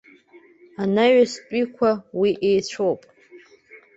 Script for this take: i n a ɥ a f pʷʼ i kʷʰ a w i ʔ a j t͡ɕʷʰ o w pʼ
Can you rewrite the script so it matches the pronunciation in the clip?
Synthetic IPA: a n a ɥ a s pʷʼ i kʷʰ a w i ʔ e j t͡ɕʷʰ o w pʼ